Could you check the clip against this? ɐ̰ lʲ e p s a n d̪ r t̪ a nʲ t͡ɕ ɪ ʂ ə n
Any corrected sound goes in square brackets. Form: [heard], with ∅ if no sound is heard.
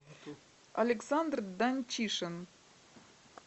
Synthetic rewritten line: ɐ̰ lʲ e [k] s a n d̪ r [d̪] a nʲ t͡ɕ [i] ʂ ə n